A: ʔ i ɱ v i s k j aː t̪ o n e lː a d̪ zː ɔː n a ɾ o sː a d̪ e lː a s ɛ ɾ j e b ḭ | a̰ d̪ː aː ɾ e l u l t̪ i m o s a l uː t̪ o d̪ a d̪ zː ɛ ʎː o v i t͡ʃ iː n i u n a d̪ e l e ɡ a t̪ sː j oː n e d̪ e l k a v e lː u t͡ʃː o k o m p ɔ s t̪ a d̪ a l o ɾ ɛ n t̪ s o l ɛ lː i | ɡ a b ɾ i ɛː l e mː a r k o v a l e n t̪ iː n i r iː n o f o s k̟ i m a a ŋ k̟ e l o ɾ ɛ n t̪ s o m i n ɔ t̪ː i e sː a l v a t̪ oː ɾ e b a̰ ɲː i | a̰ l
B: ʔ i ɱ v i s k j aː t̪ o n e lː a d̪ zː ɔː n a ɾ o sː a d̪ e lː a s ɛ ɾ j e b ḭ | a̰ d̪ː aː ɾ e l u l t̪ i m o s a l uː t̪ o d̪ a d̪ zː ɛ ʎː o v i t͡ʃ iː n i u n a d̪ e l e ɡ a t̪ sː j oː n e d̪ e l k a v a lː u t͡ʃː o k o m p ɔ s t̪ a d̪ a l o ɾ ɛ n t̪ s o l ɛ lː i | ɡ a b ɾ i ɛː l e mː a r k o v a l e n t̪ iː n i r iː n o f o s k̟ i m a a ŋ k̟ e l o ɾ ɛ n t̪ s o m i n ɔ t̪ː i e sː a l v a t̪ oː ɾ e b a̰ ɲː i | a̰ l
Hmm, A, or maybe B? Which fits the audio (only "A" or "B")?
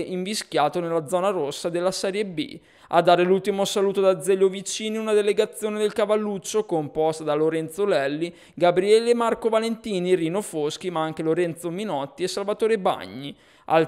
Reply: B